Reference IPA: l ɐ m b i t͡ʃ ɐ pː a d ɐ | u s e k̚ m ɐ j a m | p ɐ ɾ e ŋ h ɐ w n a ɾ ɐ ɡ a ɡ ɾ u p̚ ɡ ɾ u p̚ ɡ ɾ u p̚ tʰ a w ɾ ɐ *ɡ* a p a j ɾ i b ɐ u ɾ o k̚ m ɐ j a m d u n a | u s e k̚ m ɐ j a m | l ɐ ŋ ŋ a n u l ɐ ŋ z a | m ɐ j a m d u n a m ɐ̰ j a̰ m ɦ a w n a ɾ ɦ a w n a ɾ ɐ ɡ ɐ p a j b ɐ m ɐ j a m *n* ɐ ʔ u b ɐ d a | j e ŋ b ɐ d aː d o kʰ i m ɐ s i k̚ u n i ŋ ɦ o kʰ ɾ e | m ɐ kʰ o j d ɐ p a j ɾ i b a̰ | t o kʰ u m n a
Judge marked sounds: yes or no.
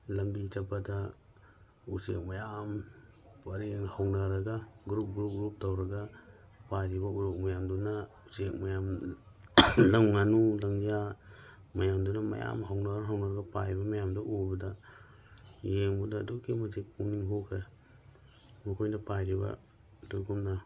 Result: yes, no

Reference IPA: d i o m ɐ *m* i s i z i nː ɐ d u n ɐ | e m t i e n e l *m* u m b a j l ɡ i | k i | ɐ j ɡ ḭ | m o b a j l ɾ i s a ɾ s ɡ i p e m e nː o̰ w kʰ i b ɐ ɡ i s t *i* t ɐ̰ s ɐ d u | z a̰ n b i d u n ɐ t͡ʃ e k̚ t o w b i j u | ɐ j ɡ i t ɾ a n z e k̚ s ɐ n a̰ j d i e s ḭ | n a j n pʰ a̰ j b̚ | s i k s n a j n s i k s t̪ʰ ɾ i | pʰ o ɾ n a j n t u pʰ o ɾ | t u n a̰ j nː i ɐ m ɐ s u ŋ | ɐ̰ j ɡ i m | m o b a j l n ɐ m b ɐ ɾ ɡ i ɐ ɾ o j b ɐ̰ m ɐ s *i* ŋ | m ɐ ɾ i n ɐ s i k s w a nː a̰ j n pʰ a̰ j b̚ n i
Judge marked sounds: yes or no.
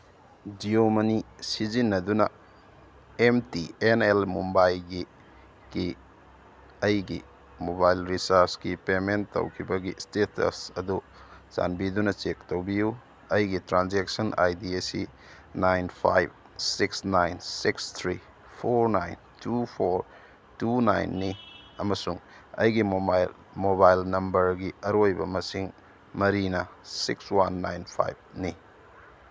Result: no, yes, no, yes

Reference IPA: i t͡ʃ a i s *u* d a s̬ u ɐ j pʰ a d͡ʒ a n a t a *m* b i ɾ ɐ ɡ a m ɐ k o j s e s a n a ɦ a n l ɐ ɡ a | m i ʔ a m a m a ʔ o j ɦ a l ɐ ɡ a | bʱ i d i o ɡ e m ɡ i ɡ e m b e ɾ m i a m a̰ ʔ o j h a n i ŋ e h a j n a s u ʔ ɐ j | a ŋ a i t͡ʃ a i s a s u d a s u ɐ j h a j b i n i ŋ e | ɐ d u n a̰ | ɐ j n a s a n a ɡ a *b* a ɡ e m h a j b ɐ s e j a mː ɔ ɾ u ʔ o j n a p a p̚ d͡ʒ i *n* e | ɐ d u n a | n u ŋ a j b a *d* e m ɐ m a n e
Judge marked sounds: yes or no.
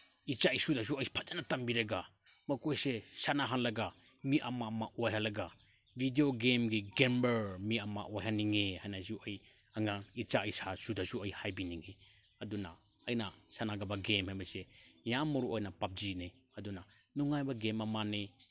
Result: yes, yes, yes, yes, no

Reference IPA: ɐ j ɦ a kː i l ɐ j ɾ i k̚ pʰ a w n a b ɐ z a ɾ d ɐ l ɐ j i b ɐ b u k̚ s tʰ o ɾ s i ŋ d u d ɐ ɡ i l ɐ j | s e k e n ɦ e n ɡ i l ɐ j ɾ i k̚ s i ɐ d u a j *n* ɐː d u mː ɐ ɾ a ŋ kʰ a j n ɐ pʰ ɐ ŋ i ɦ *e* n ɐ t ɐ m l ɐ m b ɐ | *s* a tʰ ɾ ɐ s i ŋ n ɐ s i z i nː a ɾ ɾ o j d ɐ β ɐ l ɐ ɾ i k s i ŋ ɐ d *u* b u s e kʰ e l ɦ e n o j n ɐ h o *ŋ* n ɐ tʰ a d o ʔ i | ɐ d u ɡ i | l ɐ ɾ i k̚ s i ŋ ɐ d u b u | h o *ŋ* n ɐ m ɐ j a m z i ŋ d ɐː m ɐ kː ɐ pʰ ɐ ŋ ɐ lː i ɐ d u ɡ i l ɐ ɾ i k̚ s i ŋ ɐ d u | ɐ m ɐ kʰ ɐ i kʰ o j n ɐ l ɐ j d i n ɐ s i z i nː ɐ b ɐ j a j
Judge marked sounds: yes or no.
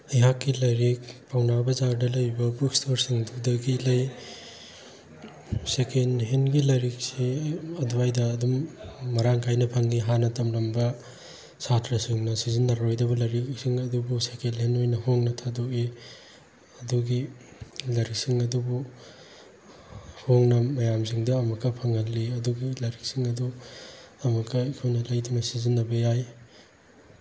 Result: no, no, yes, yes, yes, yes

